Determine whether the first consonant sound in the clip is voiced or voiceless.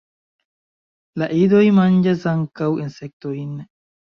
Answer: voiced